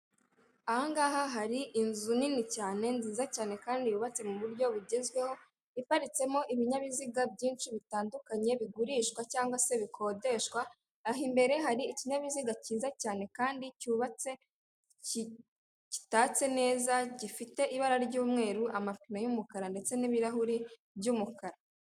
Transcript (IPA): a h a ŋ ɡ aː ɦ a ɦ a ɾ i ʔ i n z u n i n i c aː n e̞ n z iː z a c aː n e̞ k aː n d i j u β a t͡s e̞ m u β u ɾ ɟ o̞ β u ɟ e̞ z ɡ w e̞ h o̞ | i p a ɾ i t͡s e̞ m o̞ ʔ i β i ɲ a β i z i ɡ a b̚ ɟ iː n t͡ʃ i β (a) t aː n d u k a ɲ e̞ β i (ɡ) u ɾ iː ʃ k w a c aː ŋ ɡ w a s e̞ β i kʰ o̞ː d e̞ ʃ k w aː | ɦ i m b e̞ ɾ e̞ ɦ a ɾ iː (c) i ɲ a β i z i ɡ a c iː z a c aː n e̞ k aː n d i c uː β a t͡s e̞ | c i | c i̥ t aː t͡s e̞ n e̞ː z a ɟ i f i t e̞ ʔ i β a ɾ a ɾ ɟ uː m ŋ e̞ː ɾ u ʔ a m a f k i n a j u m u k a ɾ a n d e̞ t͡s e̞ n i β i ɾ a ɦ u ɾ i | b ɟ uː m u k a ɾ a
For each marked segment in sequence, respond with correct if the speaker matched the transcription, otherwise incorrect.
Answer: incorrect: i, correct, correct

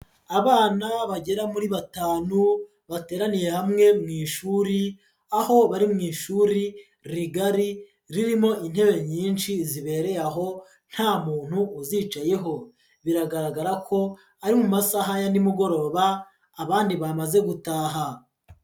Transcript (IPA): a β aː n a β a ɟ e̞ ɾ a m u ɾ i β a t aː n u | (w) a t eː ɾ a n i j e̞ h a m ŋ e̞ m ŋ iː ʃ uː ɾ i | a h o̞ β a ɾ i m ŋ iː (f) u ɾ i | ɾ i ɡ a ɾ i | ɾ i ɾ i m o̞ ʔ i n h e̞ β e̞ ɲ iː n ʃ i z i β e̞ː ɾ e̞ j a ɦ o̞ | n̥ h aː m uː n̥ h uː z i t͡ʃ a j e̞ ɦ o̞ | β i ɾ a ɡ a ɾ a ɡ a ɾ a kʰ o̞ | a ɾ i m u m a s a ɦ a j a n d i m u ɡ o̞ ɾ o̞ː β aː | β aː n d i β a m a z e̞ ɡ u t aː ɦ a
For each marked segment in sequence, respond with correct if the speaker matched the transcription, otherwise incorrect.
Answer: incorrect: β, incorrect: ʃ

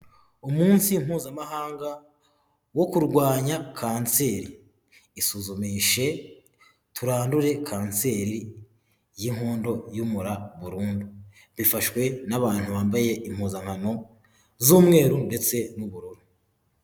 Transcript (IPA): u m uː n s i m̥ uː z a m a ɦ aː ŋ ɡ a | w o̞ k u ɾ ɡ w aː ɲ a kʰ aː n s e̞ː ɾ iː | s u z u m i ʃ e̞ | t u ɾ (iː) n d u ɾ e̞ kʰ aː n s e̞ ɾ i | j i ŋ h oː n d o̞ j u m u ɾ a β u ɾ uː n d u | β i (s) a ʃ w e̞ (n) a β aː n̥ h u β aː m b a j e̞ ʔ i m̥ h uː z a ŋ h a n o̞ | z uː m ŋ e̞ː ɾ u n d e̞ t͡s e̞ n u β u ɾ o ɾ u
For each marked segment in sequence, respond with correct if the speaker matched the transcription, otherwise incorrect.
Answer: incorrect: aː, incorrect: f, correct

